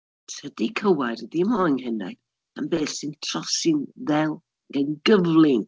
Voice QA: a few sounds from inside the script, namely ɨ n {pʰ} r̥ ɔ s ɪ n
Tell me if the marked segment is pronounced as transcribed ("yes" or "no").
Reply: no